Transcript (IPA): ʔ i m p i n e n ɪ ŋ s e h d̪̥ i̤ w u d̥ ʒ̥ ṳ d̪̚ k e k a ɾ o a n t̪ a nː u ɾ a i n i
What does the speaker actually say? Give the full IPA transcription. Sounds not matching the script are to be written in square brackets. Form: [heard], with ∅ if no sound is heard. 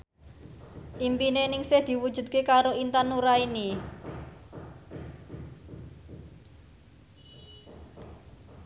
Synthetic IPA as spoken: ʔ i m p i n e n ɪ ŋ s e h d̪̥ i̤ w u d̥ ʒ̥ ṳ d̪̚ k e k a ɾ o [i] n t̪ a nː u ɾ a i n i

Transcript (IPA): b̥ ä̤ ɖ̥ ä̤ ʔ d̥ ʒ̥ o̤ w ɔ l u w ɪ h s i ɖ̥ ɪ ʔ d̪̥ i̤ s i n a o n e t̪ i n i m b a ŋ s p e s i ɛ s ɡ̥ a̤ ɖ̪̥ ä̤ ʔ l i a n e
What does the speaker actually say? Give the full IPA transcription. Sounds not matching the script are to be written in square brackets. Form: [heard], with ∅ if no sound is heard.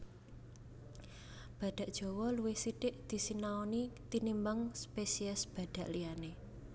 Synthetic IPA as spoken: b̥ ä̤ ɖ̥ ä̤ ʔ d̥ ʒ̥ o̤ w ɔ l u w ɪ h s i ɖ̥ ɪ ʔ d̪̥ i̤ s i n a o n [i] t̪ i n i m b a ŋ s p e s i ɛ s [b̥] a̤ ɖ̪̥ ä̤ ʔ l i a n e

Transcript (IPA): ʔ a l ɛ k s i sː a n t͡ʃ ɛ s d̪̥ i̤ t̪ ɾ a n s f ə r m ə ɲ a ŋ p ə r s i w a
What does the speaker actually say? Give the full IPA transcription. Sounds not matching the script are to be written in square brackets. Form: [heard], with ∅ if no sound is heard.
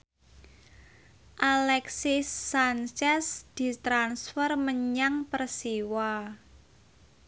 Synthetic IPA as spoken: ʔ a l ɛ k s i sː a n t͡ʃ ɛ s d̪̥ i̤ t̪ ɾ a n s f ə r m ə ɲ a ŋ p ə r s i w a

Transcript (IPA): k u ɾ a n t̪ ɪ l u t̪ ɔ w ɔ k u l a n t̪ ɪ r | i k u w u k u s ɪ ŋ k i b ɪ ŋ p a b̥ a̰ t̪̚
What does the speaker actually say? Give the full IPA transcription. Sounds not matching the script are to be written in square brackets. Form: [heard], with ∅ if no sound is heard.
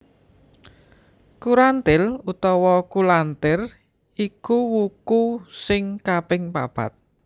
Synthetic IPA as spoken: k u ɾ a n t̪ ɪ l u t̪ ɔ w ɔ k u l a n t̪ ɪ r | i k u w u k u s ɪ ŋ k [a] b ɪ ŋ p a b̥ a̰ t̪̚

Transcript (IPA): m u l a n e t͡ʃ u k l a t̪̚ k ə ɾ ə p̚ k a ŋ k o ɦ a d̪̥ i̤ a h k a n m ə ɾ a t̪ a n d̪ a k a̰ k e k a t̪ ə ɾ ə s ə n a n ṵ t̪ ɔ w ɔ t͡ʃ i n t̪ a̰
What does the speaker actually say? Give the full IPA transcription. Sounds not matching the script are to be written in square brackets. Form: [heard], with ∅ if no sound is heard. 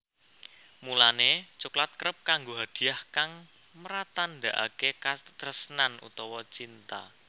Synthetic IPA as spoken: m u l a n e t͡ʃ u k l a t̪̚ k ə ɾ ə p̚ k a ŋ [ɡ] o ɦ a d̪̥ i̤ a h k a [ŋ] m ə ɾ a t̪ a n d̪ a [ʔ] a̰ k e k a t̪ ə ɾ ə s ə n a n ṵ t̪ ɔ w ɔ t͡ʃ i n t̪ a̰

